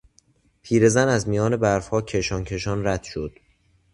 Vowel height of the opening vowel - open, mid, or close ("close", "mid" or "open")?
close